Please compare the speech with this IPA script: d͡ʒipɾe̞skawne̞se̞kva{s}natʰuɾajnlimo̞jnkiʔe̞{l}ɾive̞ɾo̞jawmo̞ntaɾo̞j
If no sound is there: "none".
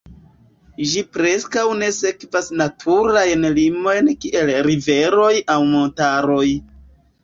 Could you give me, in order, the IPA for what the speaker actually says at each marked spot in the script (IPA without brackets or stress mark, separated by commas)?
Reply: s, l